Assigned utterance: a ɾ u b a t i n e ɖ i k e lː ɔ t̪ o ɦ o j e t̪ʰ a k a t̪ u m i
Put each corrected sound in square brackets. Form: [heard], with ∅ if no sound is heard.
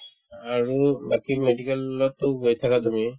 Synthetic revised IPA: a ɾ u b a [k] i [m] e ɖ i k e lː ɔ t̪ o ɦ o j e t̪ʰ a k a t̪ u m i